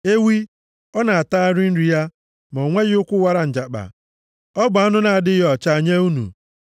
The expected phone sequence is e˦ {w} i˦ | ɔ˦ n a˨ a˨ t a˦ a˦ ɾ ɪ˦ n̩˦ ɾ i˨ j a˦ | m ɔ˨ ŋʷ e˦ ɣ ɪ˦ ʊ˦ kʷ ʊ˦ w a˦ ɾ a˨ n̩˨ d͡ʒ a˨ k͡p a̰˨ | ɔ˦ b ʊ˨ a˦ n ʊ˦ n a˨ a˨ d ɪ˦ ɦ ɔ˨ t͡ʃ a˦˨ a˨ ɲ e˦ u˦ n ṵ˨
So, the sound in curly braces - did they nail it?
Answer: yes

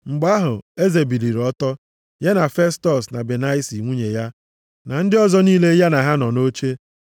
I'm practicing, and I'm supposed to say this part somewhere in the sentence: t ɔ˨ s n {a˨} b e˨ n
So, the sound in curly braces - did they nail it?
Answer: yes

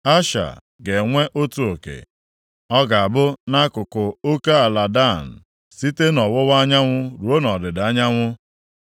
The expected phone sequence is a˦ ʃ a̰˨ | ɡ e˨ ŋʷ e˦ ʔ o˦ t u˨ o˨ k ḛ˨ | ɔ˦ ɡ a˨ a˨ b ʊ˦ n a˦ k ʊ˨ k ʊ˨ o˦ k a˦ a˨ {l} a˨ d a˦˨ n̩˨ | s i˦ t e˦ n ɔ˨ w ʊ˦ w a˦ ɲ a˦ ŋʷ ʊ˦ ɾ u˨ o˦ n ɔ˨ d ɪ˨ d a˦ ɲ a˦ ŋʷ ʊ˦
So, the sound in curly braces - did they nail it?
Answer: yes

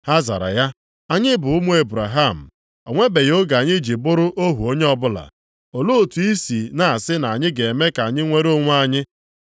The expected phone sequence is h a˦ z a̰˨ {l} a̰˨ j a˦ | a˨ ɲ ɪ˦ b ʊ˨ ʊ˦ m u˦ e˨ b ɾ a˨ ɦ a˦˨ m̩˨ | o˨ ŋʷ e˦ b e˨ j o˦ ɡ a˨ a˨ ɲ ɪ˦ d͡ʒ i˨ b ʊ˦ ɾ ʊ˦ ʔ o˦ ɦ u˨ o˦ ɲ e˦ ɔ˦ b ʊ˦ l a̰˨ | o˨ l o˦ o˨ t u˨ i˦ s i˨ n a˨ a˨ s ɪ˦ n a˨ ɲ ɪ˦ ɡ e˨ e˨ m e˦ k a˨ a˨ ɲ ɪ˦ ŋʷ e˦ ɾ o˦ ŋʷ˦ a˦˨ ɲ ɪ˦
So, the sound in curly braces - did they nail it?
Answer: no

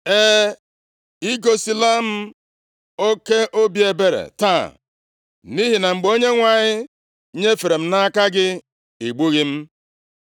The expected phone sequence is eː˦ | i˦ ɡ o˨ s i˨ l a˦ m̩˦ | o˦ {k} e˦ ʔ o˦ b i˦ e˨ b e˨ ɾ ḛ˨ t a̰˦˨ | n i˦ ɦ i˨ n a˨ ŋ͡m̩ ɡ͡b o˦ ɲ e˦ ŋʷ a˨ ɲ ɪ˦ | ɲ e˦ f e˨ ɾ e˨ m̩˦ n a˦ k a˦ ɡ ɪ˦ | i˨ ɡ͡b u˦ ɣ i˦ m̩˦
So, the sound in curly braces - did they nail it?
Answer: yes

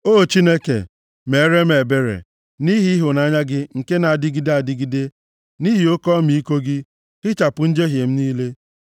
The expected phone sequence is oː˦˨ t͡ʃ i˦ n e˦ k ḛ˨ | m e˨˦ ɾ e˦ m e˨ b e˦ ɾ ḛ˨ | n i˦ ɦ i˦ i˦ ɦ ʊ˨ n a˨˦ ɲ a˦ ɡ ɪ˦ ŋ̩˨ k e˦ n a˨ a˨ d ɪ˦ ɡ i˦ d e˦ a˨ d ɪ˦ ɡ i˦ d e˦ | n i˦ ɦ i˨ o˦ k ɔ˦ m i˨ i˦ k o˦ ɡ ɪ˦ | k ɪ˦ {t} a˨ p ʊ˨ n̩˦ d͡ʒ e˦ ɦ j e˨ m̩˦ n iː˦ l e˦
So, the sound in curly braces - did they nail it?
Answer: no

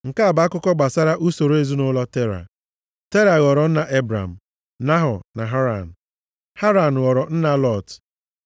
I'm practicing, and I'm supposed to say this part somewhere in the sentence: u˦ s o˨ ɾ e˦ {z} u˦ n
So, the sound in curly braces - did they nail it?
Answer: yes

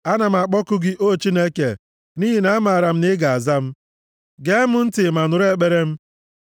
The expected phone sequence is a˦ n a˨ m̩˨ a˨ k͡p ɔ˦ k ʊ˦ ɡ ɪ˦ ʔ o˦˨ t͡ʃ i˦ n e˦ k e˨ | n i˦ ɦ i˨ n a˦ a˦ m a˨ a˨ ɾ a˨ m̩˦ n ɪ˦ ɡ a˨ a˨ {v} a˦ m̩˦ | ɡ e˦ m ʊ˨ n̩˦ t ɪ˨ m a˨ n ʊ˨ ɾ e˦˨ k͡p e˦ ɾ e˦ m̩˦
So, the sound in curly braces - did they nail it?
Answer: no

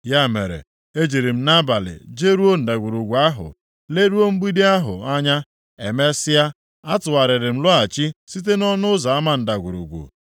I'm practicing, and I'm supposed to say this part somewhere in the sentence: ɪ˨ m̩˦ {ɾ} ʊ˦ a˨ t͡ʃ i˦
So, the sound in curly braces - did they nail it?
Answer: no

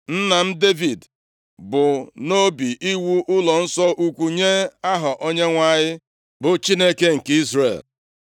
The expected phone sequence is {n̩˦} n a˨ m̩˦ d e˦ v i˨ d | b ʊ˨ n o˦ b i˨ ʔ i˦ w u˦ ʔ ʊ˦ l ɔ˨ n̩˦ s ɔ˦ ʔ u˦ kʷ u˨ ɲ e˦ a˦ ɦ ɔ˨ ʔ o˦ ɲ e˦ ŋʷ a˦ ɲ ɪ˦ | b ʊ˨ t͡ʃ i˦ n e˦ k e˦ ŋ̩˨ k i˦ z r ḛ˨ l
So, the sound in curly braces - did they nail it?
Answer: yes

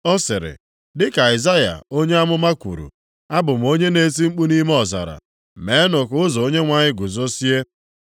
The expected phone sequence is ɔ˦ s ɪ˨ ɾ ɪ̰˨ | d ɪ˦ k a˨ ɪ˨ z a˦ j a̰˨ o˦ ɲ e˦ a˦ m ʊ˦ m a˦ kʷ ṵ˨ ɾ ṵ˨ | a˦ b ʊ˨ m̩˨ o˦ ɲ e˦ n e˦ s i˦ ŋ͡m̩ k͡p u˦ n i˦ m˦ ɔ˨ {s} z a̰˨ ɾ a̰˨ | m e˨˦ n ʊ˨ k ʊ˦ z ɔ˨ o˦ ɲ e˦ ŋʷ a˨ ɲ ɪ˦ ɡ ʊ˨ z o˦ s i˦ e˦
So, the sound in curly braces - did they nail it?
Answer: no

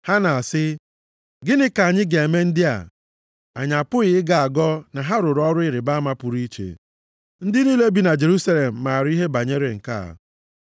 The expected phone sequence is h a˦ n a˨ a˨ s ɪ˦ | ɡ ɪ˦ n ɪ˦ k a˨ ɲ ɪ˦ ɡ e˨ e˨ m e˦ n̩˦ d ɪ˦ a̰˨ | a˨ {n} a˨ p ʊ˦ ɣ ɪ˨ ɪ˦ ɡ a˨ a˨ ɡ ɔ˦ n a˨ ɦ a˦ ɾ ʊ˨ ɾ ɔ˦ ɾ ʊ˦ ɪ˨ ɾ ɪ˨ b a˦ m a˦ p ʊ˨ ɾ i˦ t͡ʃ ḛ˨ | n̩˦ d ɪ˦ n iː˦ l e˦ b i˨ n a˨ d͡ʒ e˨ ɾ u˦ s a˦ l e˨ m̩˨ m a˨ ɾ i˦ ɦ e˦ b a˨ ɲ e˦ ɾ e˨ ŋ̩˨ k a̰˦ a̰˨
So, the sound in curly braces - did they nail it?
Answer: no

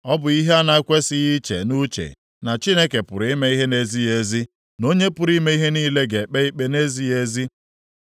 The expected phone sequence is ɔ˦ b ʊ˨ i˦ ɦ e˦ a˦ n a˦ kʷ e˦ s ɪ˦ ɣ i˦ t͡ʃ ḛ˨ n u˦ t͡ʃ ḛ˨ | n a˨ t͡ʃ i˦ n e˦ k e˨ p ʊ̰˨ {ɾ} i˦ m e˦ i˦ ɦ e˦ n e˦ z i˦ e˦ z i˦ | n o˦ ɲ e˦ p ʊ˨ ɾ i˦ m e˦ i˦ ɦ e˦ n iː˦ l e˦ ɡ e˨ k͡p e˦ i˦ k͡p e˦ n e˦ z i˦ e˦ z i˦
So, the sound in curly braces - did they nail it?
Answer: yes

